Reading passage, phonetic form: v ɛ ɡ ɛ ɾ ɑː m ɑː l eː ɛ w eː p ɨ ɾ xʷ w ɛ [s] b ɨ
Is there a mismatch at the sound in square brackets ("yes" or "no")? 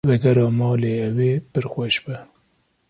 yes